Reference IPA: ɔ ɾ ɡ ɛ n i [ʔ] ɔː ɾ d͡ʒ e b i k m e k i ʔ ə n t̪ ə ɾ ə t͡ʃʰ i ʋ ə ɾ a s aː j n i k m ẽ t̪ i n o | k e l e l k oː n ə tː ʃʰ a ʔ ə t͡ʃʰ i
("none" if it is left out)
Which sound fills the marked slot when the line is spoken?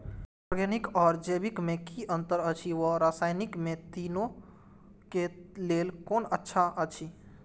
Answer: k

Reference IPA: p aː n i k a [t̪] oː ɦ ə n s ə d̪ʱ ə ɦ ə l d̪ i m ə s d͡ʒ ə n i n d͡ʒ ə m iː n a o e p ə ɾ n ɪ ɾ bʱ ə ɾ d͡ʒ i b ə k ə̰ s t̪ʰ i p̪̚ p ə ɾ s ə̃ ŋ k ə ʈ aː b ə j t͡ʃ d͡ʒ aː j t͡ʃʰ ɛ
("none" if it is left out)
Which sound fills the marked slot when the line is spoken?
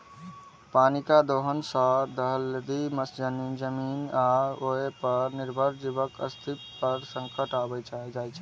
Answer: d̪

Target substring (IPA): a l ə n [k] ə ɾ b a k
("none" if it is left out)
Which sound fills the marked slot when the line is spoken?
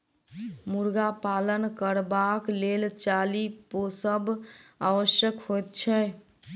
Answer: k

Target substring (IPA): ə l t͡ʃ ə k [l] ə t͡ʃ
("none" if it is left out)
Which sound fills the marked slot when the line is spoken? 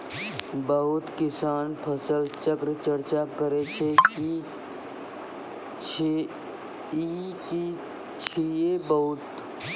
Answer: ɾ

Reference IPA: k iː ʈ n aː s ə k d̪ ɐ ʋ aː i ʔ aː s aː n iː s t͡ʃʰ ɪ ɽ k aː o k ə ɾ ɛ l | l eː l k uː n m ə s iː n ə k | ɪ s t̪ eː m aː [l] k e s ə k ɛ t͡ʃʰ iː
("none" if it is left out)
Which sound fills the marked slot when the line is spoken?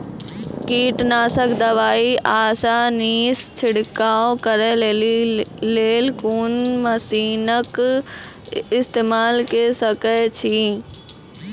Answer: l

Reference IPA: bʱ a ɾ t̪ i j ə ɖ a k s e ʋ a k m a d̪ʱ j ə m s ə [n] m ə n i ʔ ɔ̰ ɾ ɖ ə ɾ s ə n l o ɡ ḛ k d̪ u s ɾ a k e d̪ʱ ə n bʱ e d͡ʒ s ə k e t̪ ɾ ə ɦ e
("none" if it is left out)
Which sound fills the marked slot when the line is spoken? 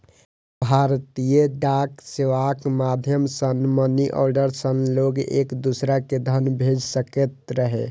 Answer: n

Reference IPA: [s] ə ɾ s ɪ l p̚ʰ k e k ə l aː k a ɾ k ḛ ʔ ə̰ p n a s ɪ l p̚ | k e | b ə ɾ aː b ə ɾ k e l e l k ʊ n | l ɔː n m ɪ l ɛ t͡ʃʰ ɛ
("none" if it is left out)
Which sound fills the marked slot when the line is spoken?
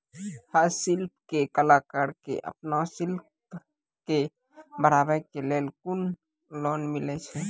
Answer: h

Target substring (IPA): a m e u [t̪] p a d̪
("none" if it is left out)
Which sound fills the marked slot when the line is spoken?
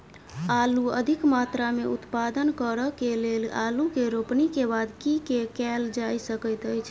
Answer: t̪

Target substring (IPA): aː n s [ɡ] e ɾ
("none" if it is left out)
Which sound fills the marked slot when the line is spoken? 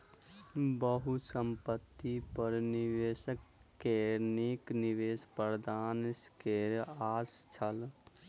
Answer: k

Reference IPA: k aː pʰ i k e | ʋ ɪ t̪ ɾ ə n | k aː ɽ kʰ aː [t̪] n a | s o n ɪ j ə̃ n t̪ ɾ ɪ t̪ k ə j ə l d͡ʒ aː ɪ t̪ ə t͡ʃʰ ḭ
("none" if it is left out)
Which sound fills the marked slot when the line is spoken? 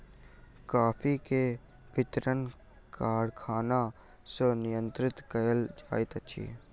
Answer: none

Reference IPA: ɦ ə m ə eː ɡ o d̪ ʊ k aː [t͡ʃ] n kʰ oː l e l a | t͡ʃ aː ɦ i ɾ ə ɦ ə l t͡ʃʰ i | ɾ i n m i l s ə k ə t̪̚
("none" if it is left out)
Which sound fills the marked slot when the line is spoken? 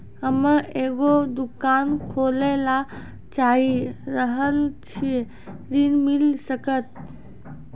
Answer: none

